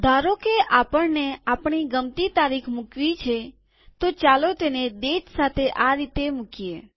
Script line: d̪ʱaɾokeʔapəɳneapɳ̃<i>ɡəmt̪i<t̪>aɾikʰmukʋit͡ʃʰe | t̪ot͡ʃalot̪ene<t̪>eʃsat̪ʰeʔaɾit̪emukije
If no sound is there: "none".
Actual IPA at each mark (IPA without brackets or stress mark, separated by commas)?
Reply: i, t̪, d̪